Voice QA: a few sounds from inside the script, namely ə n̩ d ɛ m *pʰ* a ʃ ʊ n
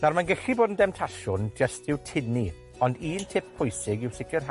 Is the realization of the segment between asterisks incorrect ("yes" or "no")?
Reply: yes